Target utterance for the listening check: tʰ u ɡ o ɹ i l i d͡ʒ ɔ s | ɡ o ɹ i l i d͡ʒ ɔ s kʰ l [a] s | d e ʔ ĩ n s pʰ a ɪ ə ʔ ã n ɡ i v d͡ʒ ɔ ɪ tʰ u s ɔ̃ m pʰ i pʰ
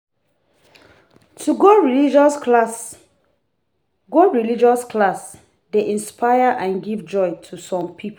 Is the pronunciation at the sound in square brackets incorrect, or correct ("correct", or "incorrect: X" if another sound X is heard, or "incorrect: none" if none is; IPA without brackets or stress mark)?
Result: correct